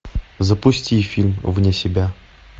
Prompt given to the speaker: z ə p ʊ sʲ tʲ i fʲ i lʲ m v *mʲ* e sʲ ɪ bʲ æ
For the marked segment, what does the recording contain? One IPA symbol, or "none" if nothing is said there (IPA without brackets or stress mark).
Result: nʲ